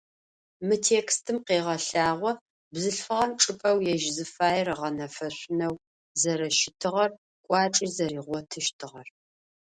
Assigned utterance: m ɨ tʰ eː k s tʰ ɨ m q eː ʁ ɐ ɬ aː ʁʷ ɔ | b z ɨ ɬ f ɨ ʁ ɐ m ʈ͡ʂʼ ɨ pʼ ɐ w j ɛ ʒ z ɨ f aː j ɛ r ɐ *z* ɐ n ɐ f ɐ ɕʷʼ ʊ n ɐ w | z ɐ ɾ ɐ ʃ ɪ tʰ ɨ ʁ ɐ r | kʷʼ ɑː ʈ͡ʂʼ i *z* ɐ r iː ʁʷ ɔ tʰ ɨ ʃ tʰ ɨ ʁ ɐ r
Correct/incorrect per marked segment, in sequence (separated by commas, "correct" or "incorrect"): incorrect, correct